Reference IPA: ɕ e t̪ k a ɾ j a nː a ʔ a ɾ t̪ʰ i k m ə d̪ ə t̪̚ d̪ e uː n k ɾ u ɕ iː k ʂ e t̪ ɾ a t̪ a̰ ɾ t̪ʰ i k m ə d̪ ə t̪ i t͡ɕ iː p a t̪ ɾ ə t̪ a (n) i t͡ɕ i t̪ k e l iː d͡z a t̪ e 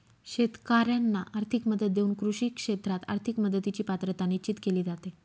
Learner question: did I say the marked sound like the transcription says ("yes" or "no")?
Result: yes